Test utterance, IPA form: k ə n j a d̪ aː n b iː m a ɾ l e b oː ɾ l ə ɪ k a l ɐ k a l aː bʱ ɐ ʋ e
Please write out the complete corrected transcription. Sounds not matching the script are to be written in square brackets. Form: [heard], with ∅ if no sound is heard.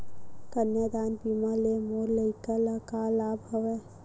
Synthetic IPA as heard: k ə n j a d̪ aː n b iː m a [∅] l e [m] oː ɾ l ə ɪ k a l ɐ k a l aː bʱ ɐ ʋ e